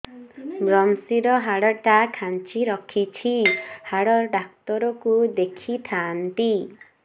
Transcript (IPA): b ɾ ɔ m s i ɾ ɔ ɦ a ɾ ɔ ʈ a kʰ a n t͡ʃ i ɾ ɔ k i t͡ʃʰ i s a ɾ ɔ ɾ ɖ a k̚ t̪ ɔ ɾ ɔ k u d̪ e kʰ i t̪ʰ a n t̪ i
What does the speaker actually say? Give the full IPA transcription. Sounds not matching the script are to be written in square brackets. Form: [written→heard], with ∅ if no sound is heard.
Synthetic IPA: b ɾ ɔ m s i ɾ ɔ ɦ a [ɾ→ɽ] ɔ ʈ a kʰ a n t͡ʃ i ɾ ɔ [k→kʰ] i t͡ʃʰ i [s→h] a [ɾ→ɽ] ɔ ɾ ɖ a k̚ t̪ ɔ ɾ ɔ k u d̪ e kʰ i t̪ʰ a n t̪ i